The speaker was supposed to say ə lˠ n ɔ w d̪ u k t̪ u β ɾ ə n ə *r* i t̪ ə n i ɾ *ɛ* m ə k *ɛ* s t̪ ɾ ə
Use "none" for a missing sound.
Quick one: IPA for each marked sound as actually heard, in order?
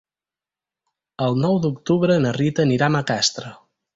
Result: r, a, a

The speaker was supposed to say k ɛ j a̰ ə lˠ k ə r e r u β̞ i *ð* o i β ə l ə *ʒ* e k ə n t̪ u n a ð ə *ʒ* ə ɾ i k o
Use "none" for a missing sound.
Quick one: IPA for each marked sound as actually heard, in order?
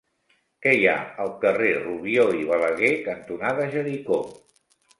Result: none, ɣ, ʒ

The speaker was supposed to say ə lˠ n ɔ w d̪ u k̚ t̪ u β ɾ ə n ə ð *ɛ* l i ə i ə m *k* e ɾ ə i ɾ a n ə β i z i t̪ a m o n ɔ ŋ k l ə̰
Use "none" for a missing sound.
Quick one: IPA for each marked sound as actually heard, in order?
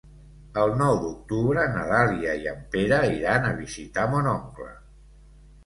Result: a, p

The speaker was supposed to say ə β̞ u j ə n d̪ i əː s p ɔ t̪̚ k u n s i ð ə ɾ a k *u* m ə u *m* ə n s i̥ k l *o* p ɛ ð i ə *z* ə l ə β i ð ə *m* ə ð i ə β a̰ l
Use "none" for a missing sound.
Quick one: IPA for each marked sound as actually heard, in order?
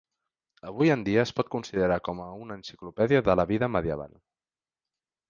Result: ɔ, n, u, ð, m

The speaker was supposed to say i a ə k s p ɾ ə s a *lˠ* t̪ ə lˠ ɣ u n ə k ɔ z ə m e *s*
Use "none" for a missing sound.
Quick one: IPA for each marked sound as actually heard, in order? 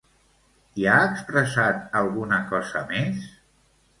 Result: none, s

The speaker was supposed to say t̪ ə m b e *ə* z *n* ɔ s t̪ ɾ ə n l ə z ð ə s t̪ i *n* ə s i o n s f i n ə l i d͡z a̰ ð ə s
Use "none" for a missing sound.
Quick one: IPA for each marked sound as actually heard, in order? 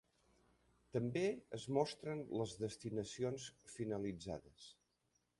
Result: ə, m, n

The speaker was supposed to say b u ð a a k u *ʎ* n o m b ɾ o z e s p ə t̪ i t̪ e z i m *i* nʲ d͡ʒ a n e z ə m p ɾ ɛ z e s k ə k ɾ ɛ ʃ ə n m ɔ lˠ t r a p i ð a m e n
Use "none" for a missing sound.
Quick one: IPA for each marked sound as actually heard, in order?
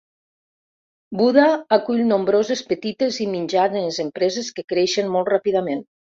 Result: ʎ, i

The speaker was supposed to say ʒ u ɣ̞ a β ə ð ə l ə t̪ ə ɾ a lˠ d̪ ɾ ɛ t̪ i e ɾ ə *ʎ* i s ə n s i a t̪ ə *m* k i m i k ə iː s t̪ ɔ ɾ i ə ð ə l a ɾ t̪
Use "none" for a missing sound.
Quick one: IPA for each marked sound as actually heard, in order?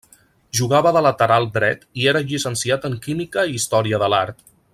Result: ʎ, ŋ

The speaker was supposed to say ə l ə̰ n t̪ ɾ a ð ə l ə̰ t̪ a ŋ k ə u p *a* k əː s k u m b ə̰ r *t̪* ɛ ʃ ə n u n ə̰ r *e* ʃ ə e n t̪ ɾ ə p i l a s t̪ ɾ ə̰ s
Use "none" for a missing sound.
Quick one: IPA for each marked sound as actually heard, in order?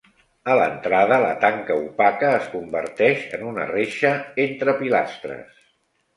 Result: a, t̪, e

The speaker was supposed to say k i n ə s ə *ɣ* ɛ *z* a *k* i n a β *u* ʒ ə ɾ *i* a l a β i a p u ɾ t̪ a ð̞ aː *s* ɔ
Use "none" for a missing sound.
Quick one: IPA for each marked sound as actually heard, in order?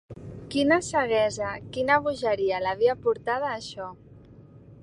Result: ɣ, z, k, u, i, ʃ

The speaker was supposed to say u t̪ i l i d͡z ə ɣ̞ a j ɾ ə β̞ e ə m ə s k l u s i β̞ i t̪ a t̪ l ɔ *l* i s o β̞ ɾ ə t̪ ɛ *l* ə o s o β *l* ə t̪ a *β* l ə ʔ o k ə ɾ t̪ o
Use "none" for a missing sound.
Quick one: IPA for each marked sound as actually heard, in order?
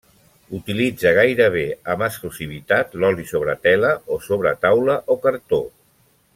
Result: l, l, ɾ, w

